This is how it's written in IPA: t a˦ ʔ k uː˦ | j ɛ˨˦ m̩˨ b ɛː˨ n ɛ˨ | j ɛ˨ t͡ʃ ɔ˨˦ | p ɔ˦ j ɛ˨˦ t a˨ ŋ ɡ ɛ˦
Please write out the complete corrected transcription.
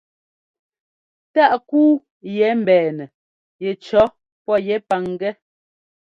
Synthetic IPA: t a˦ ʔ k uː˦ | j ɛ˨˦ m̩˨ b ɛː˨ n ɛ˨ | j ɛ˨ t͡ʃ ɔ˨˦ | p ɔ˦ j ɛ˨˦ p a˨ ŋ ɡ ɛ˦